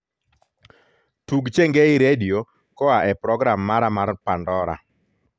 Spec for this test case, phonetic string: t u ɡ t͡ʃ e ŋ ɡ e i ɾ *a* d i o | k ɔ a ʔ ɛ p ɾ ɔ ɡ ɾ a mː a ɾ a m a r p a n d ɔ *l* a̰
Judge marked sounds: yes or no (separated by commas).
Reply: no, no